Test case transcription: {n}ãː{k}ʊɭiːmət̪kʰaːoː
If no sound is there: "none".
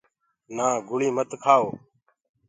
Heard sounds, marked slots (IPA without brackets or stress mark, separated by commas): n, ɡ